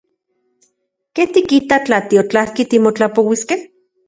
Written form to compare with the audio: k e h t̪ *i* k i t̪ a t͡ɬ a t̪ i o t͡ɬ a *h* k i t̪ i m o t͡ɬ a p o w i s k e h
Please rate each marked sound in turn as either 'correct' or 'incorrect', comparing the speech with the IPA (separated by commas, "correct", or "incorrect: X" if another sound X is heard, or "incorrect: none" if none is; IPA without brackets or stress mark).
correct, correct